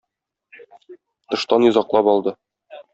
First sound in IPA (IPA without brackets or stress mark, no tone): t̪